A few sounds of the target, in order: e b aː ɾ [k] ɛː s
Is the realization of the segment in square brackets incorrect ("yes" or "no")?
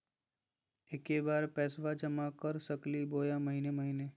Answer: yes